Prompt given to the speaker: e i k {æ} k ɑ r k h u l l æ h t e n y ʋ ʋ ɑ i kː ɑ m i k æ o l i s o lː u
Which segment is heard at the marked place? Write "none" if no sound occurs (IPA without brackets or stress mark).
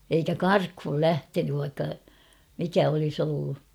æ